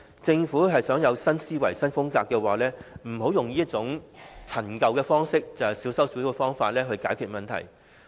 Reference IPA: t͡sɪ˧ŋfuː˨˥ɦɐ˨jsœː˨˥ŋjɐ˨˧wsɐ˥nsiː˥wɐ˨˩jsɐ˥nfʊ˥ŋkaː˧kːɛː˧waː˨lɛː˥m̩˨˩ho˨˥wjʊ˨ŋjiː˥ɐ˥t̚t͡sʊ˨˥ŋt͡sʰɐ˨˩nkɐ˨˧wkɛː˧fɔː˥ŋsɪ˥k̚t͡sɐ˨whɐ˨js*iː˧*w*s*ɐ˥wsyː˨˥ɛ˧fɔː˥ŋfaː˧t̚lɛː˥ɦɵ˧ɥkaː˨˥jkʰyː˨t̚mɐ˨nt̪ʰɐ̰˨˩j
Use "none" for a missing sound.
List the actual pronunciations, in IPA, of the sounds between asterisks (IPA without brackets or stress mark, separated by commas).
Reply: iː˨˥, s